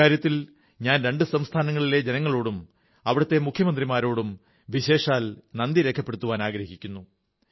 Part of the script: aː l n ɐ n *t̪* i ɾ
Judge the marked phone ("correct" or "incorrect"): incorrect